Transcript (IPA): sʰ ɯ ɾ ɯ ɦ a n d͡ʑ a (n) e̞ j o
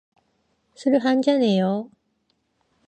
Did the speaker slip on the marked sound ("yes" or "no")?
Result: no